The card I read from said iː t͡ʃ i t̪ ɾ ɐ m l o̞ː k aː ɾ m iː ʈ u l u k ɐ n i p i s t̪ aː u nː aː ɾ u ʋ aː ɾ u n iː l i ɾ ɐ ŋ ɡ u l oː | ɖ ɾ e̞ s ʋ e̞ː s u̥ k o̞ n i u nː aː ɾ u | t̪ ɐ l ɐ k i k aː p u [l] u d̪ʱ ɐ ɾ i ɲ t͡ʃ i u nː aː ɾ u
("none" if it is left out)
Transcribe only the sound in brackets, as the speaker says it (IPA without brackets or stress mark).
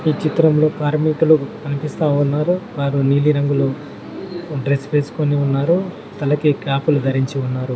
l